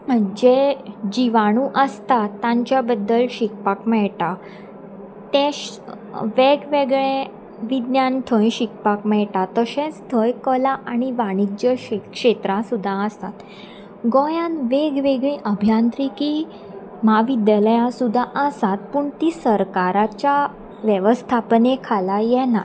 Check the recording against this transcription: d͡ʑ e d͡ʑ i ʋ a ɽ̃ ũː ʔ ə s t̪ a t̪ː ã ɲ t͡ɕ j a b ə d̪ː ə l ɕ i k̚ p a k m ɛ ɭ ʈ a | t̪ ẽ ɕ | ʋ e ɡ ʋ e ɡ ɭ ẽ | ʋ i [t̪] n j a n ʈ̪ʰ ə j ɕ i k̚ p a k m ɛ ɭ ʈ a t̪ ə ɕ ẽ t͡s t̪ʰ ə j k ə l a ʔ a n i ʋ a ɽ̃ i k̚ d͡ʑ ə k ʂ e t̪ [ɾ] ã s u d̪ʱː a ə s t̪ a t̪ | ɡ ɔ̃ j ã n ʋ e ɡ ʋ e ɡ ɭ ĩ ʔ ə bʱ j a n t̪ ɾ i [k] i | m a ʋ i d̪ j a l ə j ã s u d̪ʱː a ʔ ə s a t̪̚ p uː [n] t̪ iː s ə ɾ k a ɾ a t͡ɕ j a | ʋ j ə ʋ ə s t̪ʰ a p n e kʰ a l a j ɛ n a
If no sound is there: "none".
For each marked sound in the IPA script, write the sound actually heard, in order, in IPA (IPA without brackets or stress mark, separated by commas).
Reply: d̪, ɾ, k, ɳ